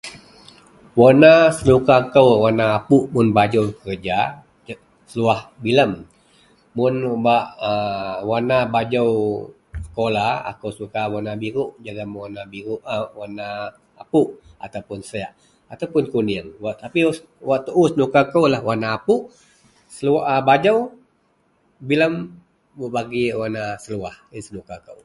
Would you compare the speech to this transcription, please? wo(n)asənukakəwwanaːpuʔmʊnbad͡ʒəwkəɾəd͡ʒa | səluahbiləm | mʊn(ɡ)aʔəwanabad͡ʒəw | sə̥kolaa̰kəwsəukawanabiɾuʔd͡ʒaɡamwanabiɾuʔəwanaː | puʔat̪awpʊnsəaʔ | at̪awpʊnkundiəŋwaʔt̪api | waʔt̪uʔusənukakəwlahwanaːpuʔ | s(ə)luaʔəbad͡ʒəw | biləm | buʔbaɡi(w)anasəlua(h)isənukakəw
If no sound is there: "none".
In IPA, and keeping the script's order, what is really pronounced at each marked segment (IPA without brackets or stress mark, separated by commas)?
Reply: n, b, ə, w, h